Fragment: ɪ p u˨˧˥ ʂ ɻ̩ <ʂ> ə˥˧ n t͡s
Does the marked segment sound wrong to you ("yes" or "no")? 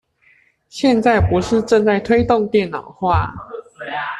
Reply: yes